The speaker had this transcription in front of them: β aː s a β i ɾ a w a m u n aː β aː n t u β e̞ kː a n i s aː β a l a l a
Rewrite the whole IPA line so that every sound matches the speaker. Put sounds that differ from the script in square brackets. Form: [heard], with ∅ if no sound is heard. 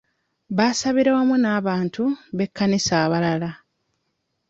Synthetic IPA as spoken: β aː s a β i ɾ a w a m u n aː β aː n t u β e̞ kː a n i s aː β a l a l a